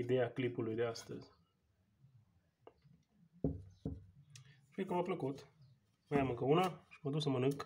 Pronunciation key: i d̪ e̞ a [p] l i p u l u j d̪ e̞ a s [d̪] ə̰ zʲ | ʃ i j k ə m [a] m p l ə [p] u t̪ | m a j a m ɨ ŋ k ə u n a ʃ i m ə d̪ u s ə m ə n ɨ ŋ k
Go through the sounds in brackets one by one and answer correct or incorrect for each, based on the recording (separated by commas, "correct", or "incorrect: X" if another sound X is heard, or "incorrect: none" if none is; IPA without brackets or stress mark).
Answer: incorrect: k, incorrect: t̪, correct, incorrect: k